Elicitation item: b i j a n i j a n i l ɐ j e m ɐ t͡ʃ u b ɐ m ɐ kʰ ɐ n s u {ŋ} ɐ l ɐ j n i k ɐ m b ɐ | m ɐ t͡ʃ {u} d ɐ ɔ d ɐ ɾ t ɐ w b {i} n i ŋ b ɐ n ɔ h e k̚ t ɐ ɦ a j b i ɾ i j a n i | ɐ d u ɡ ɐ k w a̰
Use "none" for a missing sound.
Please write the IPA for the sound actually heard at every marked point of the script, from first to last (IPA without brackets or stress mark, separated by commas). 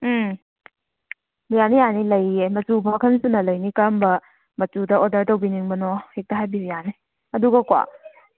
n, u, i